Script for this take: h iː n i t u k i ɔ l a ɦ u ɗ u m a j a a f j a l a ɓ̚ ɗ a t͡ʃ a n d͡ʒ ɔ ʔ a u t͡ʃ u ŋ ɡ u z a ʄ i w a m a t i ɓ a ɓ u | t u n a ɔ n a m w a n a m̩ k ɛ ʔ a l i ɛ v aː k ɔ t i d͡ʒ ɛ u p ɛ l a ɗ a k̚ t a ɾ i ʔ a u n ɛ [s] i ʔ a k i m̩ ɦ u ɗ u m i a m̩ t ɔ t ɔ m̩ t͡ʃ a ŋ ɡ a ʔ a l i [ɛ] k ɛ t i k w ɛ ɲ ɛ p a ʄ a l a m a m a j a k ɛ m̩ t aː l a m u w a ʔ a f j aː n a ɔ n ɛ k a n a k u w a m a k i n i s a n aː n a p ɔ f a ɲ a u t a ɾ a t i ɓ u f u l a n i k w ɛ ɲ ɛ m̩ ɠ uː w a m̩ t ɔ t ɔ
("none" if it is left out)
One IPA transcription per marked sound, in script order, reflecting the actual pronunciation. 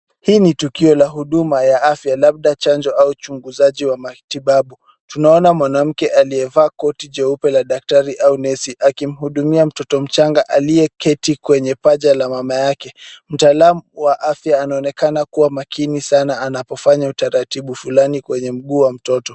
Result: s, ɛ

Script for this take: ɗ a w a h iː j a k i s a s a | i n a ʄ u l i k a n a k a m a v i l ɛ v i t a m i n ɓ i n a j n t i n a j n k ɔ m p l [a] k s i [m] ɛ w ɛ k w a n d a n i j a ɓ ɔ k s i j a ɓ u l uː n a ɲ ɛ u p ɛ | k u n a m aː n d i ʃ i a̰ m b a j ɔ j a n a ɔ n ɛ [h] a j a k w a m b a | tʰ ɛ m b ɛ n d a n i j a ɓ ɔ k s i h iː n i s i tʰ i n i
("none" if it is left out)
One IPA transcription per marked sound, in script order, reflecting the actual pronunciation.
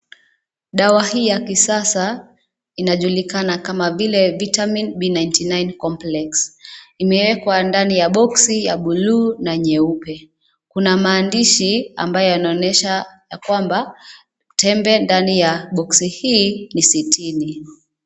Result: ɛ, m, ʃ

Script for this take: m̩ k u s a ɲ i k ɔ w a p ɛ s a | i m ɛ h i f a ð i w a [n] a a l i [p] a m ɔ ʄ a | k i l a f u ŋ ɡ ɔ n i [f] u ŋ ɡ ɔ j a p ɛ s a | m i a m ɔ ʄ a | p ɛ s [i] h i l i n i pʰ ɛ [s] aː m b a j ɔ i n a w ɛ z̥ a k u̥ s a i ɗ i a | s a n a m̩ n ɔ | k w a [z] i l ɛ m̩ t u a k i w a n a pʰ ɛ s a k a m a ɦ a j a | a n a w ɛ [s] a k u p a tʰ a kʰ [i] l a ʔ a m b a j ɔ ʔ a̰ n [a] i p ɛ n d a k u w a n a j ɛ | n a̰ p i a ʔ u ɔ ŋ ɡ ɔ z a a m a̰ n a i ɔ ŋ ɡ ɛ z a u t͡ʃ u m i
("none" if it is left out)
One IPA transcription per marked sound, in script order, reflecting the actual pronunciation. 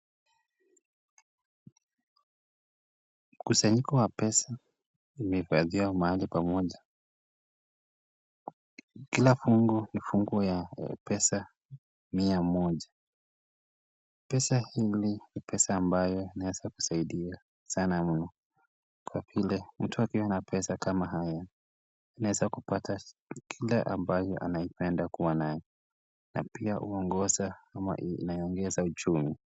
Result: m, p, f, a, s, v, z, i, a

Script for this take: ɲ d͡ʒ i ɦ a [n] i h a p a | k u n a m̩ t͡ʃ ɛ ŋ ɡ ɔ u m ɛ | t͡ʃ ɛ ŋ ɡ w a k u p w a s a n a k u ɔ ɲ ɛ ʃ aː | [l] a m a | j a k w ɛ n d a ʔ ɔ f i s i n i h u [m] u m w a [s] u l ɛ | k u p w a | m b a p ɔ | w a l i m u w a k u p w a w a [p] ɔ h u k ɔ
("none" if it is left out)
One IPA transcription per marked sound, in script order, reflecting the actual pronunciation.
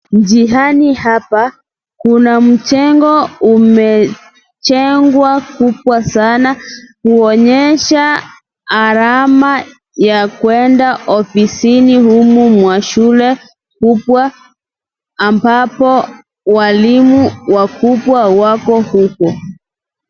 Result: n, ɾ, m, ʃ, k

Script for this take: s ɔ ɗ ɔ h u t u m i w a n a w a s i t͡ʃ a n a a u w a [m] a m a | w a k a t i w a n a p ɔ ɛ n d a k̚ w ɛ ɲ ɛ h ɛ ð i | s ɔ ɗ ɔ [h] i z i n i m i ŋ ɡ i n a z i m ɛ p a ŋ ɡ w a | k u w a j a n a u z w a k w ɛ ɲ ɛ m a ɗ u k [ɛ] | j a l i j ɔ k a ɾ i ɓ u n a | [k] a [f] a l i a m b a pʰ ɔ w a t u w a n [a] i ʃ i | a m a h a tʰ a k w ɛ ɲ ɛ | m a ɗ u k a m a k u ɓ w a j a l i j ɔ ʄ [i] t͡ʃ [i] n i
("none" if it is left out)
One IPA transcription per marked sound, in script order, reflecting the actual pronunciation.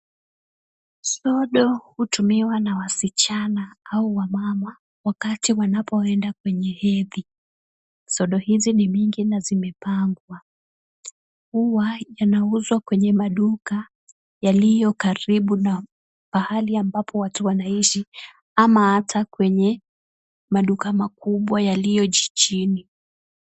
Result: m, h, a, p, h, a, i, i

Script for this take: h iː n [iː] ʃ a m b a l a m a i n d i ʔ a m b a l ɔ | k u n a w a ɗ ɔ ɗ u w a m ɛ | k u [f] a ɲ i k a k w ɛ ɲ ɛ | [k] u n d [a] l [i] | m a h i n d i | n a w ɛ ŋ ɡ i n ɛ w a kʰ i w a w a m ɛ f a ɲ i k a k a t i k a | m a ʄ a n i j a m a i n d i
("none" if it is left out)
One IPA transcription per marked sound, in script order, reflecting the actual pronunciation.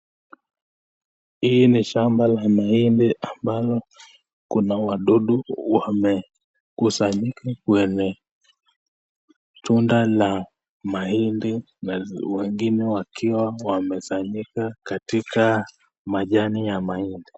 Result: i, s, t, a, a

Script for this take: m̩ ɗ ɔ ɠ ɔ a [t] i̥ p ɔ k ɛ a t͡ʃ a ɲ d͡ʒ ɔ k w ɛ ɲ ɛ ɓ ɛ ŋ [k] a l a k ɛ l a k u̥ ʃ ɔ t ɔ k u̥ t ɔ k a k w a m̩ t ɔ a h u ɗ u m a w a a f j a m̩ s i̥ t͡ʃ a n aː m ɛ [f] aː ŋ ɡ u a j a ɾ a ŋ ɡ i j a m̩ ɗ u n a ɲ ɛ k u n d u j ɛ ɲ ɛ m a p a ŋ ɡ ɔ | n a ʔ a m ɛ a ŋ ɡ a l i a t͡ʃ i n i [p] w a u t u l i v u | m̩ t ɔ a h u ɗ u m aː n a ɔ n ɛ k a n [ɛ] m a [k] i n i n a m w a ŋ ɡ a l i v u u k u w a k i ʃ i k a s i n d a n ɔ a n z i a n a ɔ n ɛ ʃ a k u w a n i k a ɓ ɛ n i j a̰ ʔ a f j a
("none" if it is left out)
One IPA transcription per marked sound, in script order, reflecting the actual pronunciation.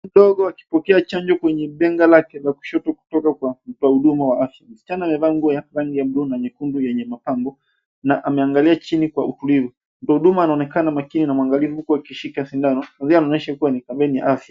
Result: k, ɡ, v, k, a, k

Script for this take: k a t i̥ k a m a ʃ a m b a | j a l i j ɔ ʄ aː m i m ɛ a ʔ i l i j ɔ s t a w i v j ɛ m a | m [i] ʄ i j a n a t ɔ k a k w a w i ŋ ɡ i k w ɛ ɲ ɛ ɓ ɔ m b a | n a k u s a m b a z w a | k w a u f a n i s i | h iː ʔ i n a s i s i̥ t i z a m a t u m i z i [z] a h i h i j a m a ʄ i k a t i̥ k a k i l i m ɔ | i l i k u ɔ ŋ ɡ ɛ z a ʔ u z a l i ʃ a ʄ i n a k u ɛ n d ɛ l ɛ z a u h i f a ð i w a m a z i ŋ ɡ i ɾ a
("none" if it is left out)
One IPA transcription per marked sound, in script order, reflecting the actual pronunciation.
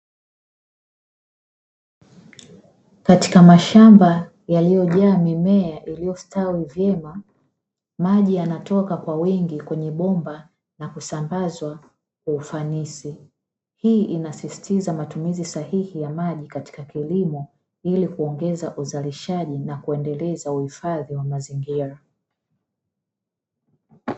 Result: a, s

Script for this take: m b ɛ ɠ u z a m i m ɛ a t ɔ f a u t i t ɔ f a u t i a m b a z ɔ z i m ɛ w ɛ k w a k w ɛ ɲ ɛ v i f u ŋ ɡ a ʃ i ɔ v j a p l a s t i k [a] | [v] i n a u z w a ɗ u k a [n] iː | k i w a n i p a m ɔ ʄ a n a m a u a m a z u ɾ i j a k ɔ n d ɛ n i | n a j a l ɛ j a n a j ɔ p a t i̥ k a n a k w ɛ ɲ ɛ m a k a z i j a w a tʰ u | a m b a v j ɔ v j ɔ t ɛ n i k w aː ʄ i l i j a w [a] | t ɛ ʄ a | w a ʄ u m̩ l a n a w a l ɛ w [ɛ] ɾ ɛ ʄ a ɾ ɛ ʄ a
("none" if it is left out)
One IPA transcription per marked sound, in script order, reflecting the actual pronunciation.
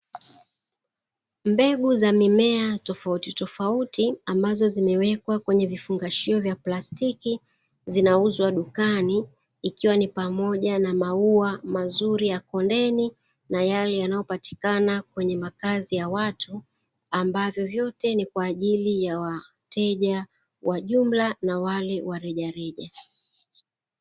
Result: i, z, n, a, a

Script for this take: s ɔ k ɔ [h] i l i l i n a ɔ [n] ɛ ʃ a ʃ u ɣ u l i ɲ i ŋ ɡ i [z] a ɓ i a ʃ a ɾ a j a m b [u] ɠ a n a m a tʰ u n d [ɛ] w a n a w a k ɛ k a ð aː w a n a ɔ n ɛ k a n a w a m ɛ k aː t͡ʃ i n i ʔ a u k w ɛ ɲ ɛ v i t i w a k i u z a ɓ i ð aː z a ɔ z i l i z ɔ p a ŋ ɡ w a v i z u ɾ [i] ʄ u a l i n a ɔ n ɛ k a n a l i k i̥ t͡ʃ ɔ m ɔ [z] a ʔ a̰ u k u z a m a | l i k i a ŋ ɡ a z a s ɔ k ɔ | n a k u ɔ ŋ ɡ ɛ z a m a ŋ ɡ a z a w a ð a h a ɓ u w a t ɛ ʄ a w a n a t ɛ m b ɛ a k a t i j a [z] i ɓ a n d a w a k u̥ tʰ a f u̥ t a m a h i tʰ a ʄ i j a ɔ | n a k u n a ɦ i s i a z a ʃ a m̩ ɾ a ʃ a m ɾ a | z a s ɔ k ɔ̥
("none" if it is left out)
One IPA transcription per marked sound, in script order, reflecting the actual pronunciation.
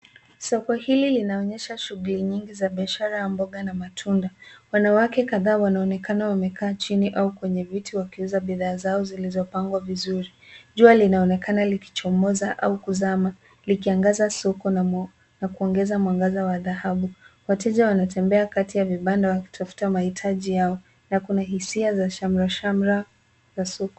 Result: h, ɲ, z, ɔ, a, i, z, v

